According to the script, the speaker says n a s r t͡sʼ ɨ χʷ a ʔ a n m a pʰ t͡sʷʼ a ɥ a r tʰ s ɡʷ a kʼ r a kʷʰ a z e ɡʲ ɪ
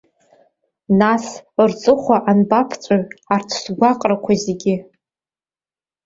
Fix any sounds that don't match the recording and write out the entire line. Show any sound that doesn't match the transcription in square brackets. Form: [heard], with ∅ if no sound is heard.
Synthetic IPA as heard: n a s r t͡sʼ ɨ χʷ a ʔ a n [b] a pʰ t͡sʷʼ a ɥ a r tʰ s ɡʷ a [qʼ] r a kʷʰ a z e ɡʲ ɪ